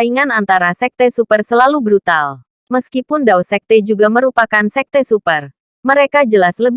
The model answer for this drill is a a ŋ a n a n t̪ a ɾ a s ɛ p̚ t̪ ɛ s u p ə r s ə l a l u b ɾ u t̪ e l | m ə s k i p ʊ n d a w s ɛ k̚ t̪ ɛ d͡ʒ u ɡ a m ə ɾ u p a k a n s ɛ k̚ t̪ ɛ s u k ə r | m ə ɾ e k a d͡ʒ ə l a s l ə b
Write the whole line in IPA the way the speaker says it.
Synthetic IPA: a i ŋ a n a n t̪ a ɾ a s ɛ k̚ t̪ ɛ s u p ə r s ə l a l u b ɾ u t̪ a l | m ə s k i p ʊ n d a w s ɛ k̚ t̪ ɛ d͡ʒ u ɡ a m ə ɾ u p a k a n s ɛ k̚ t̪ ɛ s u p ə r | m ə ɾ e k a d͡ʒ ə l a s l ə b